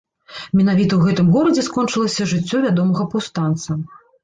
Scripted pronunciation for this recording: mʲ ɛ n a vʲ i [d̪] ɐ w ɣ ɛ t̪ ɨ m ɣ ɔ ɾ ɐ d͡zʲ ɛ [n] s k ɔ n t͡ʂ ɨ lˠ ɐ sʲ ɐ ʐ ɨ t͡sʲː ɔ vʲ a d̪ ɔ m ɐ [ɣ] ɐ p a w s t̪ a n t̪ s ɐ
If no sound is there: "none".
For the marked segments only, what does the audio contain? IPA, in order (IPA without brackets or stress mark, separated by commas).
t̪, none, ɣ